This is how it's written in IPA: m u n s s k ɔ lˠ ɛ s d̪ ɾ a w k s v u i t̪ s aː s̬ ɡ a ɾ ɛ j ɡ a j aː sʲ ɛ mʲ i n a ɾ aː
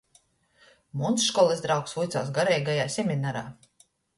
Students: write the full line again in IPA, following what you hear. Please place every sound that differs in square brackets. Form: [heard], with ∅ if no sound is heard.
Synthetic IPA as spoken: m u n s [ʃ] k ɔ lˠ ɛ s d̪ ɾ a w k s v u [j] t̪ s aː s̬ ɡ a ɾ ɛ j ɡ a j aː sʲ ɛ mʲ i n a ɾ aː